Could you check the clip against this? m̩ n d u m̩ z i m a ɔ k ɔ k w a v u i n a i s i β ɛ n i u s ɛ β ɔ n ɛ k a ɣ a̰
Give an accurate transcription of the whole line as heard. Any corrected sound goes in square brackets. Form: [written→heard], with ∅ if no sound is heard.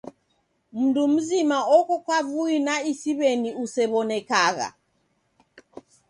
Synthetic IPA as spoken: m̩ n d u m̩ z i m a ɔ k ɔ k w a v u i n a i s i β ɛ n i u s ɛ β ɔ n ɛ k a ɣ a̰